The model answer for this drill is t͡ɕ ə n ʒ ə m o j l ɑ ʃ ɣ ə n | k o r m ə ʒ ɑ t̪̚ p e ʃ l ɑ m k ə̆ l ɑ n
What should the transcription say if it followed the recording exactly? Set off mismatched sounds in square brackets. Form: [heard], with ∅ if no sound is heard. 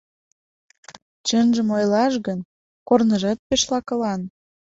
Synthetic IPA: t͡ɕ ə n ʒ ə m o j l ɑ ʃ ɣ ə n | k o r [n] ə ʒ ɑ t̪̚ p e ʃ l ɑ [∅] k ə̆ l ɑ n